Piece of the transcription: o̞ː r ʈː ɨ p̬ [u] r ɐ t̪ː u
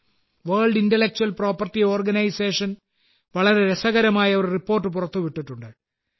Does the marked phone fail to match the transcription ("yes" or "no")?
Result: no